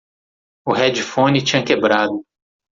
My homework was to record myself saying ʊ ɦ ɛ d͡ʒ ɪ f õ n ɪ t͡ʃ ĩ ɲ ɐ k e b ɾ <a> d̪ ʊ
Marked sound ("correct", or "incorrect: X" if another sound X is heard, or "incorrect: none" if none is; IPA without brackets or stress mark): correct